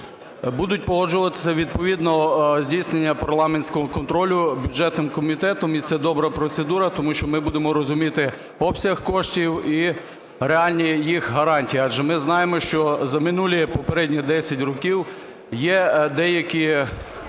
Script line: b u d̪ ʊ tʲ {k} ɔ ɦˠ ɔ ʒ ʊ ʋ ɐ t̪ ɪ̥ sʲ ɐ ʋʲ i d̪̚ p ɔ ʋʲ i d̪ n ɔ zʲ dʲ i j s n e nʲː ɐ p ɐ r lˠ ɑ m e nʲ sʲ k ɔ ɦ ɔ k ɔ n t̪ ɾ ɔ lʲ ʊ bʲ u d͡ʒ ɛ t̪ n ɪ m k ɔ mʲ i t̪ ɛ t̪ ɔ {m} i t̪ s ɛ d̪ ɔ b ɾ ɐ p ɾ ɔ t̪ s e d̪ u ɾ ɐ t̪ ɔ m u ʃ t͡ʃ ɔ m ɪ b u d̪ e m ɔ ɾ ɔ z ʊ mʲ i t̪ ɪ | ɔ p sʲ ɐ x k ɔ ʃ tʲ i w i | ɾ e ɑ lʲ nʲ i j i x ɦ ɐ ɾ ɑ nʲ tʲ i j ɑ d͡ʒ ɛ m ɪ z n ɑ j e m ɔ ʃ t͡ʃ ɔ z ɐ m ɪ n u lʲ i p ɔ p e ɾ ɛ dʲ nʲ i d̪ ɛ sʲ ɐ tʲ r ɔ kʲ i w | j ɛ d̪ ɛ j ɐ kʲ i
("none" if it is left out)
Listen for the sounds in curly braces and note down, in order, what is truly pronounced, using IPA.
p, m

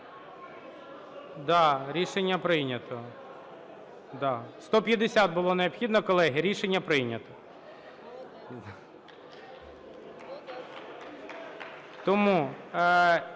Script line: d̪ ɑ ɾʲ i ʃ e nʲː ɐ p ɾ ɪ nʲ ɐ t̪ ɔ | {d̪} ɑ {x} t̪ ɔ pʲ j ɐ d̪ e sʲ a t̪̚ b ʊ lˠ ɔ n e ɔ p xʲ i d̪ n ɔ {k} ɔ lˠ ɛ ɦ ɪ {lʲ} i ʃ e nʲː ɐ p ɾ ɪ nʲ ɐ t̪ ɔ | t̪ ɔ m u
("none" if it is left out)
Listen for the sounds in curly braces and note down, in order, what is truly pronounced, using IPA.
d̪, s, k, ɾʲ

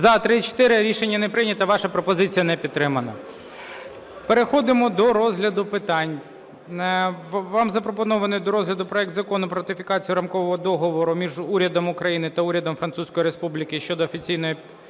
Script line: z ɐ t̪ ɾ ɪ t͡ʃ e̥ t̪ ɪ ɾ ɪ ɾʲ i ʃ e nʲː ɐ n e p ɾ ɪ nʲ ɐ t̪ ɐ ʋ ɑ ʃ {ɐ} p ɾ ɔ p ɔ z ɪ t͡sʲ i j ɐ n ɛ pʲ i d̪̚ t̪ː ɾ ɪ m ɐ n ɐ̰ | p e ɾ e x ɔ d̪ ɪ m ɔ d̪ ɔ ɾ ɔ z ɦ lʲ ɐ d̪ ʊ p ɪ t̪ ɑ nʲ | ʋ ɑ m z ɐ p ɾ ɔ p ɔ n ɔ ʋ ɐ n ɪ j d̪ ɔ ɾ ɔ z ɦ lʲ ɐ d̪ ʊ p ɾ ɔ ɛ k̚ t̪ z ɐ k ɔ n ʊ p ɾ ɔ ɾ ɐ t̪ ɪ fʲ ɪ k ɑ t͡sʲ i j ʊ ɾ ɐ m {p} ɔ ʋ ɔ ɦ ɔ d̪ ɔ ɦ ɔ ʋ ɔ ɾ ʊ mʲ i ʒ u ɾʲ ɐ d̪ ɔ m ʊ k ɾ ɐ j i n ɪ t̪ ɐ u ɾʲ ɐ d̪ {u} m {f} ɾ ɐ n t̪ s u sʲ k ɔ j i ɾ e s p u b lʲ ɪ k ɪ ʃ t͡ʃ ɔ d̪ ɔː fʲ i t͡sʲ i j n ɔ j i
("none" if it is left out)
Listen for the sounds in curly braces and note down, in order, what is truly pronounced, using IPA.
ɐ, k, ɔ, f

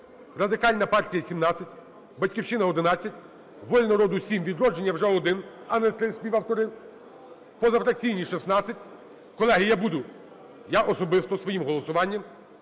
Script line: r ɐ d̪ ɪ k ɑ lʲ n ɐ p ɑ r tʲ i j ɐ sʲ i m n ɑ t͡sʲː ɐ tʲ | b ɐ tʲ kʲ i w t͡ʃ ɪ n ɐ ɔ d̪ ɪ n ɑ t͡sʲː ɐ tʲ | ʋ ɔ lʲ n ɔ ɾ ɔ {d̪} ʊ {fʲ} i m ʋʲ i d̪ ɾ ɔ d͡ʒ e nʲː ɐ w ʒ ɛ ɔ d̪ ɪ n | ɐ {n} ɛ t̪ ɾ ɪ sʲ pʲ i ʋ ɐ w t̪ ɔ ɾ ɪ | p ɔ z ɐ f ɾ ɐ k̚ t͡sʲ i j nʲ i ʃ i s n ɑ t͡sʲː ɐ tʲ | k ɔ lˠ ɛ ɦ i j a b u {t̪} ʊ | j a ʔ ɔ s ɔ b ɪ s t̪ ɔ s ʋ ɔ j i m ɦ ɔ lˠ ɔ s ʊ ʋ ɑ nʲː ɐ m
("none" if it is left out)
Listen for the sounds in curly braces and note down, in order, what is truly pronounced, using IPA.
d̪, sʲ, n, d̪

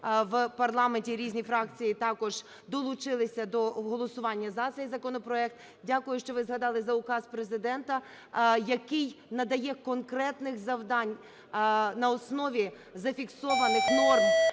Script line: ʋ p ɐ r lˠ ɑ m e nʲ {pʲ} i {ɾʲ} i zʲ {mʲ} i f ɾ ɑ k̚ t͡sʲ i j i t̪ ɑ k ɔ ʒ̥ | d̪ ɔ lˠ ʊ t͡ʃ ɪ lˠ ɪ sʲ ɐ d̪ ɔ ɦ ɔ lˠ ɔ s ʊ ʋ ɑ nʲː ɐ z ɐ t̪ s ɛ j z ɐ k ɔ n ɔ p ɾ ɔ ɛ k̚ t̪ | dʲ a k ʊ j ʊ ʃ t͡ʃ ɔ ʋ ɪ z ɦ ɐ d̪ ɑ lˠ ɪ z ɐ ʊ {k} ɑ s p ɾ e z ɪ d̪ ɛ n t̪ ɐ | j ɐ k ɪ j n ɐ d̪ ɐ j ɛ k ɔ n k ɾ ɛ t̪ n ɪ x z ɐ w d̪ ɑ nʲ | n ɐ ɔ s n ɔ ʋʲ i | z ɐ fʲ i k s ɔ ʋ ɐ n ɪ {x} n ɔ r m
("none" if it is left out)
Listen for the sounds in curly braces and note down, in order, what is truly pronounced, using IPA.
tʲ, ɾʲ, nʲ, k, x

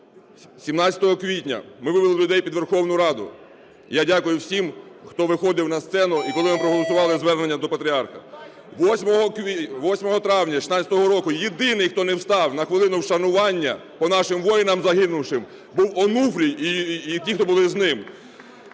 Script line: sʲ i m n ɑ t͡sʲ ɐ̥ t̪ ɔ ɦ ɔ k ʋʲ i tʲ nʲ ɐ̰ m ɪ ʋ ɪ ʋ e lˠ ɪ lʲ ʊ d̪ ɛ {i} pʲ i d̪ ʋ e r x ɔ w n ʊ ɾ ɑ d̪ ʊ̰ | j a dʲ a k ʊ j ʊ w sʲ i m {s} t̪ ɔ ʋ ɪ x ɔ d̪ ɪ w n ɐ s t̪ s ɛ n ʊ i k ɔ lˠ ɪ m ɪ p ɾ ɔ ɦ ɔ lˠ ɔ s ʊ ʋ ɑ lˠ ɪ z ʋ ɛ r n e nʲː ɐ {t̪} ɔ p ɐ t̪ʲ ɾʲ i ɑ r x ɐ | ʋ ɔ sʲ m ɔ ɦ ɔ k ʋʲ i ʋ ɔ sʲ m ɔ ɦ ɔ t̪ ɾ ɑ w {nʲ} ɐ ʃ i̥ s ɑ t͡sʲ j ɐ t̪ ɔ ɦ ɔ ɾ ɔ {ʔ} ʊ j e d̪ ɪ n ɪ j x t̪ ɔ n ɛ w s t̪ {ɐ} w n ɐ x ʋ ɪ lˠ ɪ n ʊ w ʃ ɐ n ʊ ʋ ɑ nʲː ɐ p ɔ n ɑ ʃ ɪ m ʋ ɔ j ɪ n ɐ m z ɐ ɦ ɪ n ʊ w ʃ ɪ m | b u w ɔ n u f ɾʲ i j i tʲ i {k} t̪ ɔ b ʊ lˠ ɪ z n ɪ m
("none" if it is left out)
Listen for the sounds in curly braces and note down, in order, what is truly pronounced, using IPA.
j, x, d̪, nʲ, k, ɑ, x

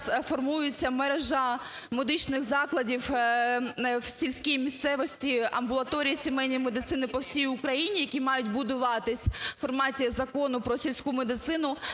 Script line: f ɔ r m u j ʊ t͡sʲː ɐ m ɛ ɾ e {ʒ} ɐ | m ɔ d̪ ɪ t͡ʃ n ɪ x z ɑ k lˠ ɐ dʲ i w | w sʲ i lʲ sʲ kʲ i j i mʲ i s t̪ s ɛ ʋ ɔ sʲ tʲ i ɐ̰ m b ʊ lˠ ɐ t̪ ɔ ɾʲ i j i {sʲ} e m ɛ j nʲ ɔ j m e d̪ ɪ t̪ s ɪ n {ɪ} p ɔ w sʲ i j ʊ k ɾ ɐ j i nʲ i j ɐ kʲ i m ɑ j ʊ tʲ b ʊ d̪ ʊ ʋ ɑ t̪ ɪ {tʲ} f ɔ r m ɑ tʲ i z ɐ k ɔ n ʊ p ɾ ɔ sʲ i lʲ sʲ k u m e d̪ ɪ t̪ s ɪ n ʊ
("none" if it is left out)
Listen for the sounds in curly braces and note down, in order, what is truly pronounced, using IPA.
ʒ, sʲ, ɪ, sʲ

